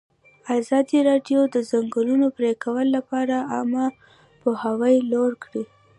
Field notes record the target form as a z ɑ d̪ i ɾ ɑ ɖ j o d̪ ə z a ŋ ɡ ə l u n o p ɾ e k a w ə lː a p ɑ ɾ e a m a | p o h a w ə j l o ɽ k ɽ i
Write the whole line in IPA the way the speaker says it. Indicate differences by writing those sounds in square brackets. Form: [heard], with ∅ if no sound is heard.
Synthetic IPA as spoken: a z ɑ d̪ i ɾ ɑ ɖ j o d̪ ə z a ŋ ɡ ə l u n o p ɾ e k a w ə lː a p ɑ ɾ [a] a m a | p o h a w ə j l o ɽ k ɽ i